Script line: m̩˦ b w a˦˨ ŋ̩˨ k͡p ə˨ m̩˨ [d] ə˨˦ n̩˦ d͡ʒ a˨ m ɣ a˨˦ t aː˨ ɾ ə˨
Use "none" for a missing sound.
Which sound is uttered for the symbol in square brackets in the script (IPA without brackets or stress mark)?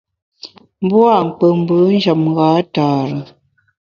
b